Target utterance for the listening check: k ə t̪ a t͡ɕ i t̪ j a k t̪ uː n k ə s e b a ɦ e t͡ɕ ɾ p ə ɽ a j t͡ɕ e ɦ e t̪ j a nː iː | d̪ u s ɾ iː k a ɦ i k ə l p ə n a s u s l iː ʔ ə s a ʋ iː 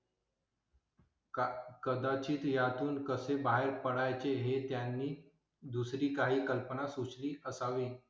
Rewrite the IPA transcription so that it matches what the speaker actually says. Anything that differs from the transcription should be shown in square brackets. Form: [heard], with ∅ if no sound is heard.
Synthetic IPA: k ə [d̪] a t͡ɕ [iː] t̪ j a [∅] t̪ uː n k ə s e b a ɦ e [∅] ɾ p ə ɽ a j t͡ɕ e ɦ e t̪ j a nː iː | d̪ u s ɾ iː k a ɦ [iː] k ə l p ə n a s u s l iː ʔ ə s a ʋ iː